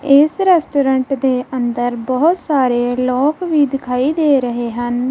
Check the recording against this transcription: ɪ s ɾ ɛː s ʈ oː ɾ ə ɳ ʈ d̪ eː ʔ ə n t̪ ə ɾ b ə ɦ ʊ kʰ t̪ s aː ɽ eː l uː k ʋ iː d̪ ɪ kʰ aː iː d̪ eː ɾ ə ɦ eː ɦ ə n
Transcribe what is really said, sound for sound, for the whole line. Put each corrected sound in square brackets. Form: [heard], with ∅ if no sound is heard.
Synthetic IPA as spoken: ɪ s ɾ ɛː s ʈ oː ɾ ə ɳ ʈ d̪ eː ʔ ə n [d̪] ə ɾ b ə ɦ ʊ [∅] t̪ s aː [ɾ] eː l [ɔː] k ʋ iː d̪ ɪ kʰ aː iː d̪ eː ɾ ə ɦ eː ɦ ə n